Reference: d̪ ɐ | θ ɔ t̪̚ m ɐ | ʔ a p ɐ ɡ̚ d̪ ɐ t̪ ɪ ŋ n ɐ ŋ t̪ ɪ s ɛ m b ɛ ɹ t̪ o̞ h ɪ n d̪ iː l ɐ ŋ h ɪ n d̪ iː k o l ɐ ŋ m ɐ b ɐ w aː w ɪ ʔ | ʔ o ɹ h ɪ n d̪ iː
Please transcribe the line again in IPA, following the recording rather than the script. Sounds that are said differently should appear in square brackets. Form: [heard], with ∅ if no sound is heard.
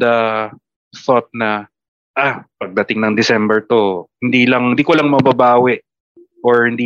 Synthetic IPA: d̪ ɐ | θ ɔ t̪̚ [n] ɐ | ʔ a p ɐ ɡ̚ d̪ ɐ t̪ ɪ ŋ n ɐ ŋ [d̪] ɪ s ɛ m b ɛ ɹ t̪ o̞ h ɪ n d̪ iː l ɐ ŋ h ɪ n d̪ iː k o l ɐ ŋ m ɐ b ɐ [b] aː w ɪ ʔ | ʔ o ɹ h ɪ n d̪ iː